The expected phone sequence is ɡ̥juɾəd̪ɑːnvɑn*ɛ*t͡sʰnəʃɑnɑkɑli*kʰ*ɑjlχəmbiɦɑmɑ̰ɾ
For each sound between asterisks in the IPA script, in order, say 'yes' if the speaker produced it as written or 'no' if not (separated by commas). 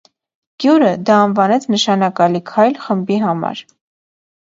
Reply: yes, yes